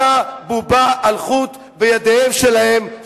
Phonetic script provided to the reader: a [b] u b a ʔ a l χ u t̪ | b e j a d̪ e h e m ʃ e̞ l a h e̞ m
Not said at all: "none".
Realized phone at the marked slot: b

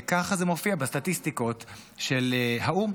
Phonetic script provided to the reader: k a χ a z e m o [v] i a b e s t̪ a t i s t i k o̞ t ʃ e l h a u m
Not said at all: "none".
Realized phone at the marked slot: f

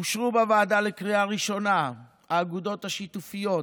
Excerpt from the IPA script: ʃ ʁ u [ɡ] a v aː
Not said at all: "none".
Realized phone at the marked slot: b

